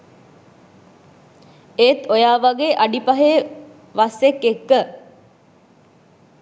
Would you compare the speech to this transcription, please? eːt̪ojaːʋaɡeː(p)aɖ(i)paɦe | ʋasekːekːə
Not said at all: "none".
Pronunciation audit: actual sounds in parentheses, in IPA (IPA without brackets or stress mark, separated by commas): ʔ, i